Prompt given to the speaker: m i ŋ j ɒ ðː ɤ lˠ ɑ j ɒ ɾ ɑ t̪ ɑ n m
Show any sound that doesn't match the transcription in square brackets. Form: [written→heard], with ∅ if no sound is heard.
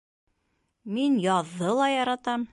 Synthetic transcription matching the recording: m i [ŋ→n] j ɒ ðː ɤ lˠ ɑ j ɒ ɾ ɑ t̪ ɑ [n→∅] m